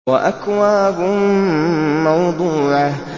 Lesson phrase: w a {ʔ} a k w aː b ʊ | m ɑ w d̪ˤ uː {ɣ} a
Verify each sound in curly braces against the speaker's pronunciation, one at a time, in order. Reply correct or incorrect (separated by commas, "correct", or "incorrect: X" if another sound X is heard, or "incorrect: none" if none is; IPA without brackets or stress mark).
correct, incorrect: ʕ